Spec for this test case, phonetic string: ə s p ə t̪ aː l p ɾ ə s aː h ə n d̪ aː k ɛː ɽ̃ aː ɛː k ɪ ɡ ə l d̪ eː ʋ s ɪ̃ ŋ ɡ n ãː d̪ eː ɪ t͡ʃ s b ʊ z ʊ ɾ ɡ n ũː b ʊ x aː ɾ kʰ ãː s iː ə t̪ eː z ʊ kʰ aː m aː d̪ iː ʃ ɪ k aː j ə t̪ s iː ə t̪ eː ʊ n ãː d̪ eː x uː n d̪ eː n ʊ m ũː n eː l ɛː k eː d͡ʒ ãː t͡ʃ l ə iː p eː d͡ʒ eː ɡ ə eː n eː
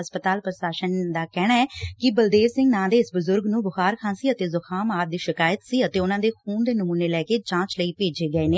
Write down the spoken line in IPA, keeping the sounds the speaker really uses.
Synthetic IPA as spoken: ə s p ə t̪ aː l p ɾ ə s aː ʃ ə n d̪ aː k ɛː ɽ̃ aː ɛː k ɪ b ə l d̪ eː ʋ s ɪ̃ ŋ ɡ n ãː d̪ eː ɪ s b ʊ z ʊ ɾ ɡ n ũː b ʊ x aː ɾ kʰ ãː s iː ə t̪ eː z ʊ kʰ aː m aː d̪ iː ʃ ɪ k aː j ə t̪ s iː ə t̪ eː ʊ n ãː d̪ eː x uː n d̪ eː n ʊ m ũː n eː l ɛː k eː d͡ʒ ãː t͡ʃ l ə iː p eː d͡ʒ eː ɡ ə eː n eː